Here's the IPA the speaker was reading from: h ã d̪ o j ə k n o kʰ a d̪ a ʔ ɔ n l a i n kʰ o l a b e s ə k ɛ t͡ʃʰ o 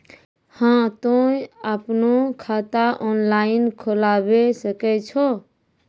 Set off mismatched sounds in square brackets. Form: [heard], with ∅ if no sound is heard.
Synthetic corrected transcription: h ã [t̪] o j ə [p] n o kʰ a [t̪] a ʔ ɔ n l a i n kʰ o l a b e s ə k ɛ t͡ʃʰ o